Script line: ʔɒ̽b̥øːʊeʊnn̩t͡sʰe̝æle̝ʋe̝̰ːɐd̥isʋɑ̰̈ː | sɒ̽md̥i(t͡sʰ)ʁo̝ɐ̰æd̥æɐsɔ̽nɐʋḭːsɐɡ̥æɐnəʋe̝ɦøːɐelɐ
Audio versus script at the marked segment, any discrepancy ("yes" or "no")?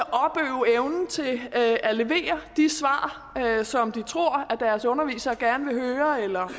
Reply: no